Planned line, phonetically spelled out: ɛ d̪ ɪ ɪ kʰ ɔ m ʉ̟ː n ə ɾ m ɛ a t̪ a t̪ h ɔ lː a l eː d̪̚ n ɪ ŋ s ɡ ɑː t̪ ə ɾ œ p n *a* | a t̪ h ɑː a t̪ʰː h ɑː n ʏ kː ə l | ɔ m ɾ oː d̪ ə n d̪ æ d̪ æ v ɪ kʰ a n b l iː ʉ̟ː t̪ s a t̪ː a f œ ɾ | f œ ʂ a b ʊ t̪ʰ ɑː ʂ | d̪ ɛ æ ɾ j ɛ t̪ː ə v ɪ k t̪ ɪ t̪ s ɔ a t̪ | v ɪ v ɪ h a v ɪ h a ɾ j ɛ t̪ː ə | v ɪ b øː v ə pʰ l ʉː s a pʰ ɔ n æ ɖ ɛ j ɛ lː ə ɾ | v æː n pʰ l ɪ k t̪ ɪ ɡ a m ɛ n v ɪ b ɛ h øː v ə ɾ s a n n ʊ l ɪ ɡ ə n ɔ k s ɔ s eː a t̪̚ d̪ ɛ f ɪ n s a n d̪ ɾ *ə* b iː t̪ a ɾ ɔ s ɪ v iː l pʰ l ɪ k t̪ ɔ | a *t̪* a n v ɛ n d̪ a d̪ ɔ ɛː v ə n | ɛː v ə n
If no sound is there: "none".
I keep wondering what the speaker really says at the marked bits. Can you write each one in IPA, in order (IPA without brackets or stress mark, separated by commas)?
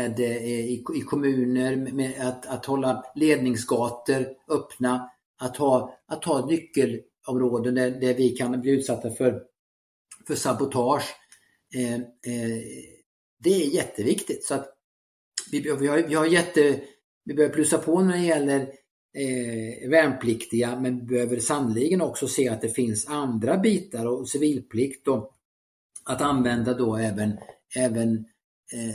a, a, t̪